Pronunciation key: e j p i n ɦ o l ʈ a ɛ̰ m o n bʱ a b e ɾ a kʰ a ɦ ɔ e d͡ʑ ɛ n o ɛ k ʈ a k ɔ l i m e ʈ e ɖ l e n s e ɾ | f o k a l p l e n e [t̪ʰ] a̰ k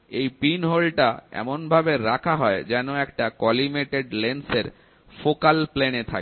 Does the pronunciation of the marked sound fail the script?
no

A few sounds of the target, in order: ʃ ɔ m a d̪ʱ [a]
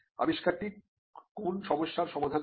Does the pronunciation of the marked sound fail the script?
no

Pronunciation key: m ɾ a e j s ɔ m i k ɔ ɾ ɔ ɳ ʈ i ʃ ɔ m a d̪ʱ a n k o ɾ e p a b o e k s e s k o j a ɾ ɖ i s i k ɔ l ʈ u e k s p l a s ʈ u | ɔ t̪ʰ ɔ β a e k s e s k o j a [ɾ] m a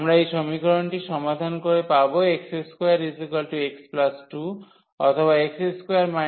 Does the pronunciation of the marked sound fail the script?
no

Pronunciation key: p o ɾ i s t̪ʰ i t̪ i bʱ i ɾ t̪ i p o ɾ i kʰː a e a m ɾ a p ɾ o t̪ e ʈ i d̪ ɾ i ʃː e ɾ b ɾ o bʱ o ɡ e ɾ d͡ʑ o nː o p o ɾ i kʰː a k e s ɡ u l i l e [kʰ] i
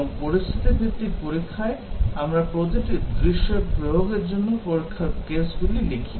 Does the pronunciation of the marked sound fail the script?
no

